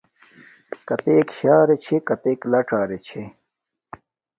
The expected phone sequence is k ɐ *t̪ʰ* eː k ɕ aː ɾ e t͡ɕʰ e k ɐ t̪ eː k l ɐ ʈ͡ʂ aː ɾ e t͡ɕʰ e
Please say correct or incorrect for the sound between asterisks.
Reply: incorrect